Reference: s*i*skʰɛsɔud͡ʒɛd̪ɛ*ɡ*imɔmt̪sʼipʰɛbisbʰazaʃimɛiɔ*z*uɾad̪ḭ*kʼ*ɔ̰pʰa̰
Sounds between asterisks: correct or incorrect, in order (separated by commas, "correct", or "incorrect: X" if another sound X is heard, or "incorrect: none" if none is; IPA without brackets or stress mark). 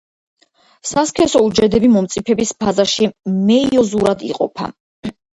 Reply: incorrect: a, incorrect: b, correct, incorrect: qʼ